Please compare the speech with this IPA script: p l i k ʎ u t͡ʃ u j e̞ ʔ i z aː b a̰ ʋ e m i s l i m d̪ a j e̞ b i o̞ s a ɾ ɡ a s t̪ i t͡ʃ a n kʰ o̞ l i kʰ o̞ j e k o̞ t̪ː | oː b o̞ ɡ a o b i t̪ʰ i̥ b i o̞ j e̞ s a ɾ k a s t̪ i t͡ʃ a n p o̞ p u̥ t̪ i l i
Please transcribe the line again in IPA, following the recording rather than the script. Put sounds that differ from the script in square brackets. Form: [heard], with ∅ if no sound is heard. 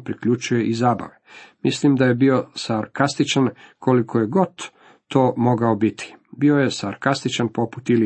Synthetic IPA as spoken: p [ɾ] i k ʎ u t͡ʃ u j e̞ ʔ i z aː b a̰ ʋ e m i s l i m d̪ a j e̞ b i o̞ s a ɾ [k] a s t̪ i t͡ʃ a n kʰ o̞ l i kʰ o̞ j e [ɡ] o̞ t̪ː | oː [m] o̞ ɡ a o b i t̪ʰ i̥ b i o̞ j e̞ s a ɾ k a s t̪ i t͡ʃ a n p o̞ p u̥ t̪ i l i